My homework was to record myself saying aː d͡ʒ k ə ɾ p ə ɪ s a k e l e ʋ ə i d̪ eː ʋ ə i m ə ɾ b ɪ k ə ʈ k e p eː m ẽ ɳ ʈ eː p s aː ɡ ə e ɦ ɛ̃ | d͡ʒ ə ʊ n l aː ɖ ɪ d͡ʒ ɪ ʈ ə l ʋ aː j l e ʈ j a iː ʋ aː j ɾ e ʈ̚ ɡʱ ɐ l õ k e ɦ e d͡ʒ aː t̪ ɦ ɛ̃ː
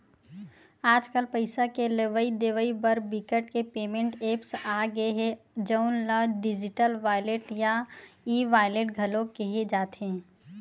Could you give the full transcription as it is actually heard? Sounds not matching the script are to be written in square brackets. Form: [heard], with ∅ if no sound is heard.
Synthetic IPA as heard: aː d͡ʒ k ə [l] p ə ɪ s a k e l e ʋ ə i d̪ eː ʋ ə i [b] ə ɾ b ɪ k ə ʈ k e p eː m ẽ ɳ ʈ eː p s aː ɡ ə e ɦ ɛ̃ | d͡ʒ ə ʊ n l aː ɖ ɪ d͡ʒ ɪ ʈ ə l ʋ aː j l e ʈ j a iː ʋ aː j [l] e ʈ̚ ɡʱ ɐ l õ k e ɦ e d͡ʒ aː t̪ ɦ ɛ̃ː